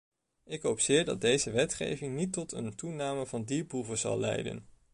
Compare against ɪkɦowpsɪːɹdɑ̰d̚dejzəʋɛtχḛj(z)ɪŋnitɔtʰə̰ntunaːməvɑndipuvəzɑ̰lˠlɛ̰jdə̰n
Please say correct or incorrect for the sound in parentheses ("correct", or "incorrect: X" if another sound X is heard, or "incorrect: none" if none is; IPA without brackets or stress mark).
incorrect: v